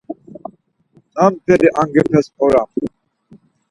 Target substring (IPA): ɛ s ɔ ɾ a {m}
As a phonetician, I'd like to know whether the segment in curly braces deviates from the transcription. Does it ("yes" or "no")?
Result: no